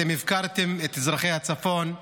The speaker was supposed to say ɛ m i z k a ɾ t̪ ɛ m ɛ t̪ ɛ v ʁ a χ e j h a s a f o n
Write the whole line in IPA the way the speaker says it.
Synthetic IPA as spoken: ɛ m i v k a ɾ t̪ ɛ m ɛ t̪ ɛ z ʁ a χ e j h a t͡s a f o n